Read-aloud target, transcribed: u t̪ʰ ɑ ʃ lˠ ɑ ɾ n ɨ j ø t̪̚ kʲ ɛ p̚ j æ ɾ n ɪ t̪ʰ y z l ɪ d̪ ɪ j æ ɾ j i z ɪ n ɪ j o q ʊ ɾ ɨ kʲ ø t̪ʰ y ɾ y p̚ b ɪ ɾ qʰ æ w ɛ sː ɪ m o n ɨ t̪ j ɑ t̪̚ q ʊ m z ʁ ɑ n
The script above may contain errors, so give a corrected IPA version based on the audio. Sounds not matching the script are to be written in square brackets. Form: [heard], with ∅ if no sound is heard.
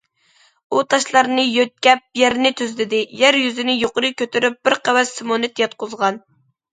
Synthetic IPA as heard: u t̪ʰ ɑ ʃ lˠ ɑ ɾ n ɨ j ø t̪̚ kʲ ɛ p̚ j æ ɾ n ɪ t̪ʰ y z l ɪ d̪ ɪ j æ ɾ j [y] z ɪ n ɪ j o q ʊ ɾ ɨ kʲ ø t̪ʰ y ɾ y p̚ b ɪ ɾ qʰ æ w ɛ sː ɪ m o n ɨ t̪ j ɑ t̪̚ q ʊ [∅] z ʁ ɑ n

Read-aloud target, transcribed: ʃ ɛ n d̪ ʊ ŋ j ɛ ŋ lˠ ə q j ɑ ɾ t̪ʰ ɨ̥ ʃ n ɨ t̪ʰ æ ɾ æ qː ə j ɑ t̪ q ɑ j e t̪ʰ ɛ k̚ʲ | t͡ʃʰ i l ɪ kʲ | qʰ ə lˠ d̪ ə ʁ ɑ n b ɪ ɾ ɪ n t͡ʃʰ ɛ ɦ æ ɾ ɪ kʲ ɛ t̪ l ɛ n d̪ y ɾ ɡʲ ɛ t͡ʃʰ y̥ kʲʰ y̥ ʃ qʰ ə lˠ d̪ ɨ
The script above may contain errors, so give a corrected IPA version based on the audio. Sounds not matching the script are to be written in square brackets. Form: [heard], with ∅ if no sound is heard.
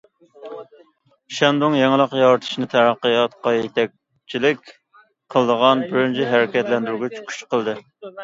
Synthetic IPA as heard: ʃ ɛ n d̪ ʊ ŋ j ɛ ŋ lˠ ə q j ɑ ɾ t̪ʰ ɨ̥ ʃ n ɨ t̪ʰ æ ɾ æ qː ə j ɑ t̪ q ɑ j e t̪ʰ ɛ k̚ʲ | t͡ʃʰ i l ɪ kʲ | qʰ ə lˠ d̪ ə ʁ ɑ n b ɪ ɾ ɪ n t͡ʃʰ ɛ ɦ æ ɾ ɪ kʲ ɛ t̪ l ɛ n d̪ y ɾ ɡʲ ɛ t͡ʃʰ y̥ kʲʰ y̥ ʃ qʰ ə lˠ d̪ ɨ

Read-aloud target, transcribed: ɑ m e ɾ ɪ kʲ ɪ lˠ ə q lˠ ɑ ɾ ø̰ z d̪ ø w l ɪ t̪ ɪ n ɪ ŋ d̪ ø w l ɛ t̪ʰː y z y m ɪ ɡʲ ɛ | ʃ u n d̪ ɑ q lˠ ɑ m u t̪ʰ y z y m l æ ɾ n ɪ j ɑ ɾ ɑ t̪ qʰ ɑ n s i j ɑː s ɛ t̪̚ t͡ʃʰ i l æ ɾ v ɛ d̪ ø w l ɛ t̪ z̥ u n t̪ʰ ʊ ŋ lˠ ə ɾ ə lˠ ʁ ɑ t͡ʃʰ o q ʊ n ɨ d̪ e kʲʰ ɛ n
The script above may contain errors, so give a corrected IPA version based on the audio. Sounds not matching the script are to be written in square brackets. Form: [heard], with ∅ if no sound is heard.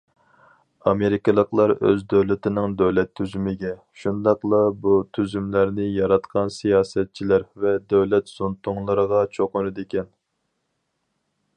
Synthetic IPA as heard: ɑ m e ɾ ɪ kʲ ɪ lˠ ə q lˠ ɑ ɾ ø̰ z d̪ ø w l ɪ t̪ ɪ n ɪ ŋ d̪ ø w l ɛ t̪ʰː y z y m ɪ ɡʲ ɛ | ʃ u n d̪ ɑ q lˠ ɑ [b] u t̪ʰ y z y m l æ ɾ n ɪ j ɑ ɾ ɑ t̪ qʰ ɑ n s i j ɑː s ɛ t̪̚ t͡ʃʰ i l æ ɾ v ɛ d̪ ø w l ɛ t̪ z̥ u n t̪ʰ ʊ ŋ lˠ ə ɾ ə [∅] ʁ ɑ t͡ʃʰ o q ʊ n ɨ d̪ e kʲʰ ɛ n

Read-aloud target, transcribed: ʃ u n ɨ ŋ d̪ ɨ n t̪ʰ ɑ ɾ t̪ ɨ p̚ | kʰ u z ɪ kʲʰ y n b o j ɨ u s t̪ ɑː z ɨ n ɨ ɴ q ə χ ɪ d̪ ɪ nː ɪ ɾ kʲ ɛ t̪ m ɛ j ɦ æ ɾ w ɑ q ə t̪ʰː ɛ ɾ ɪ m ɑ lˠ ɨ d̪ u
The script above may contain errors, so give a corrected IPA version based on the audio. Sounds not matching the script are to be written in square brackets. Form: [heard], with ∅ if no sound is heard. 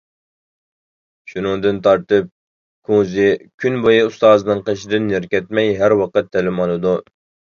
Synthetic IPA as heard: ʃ u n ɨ ŋ d̪ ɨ n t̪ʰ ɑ ɾ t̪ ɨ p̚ | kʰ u z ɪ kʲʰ y n b o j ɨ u s t̪ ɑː z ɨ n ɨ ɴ q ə [ʃ] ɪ d̪ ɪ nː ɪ ɾ kʲ ɛ t̪ m ɛ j ɦ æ ɾ w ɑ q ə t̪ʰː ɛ [l] ɪ m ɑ lˠ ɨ d̪ u

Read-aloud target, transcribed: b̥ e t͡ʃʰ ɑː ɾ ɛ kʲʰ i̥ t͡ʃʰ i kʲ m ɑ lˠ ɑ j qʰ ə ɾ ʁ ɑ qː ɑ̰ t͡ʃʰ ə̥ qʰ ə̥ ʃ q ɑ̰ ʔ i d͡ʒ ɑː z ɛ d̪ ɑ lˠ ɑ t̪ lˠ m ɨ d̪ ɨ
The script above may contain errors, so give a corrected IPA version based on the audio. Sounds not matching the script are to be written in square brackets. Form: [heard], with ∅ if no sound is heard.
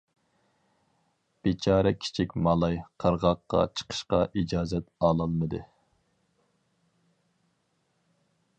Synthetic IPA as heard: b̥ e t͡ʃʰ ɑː ɾ ɛ kʲʰ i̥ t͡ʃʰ i kʲ m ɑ lˠ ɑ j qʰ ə ɾ ʁ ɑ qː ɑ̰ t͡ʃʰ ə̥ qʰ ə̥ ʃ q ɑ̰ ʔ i d͡ʒ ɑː z ɛ [t̪] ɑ lˠ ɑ [∅] lˠ m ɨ d̪ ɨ

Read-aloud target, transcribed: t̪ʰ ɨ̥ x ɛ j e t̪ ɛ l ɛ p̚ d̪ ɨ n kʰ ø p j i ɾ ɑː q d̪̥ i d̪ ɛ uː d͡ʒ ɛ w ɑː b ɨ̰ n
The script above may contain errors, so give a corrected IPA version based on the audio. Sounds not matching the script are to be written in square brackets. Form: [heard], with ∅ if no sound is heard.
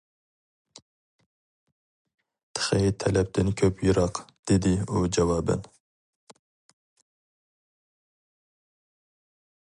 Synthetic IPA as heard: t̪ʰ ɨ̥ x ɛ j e [t̪ʰ] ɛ l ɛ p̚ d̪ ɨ n kʰ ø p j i ɾ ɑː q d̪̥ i d̪ [i] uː d͡ʒ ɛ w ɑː b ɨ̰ n

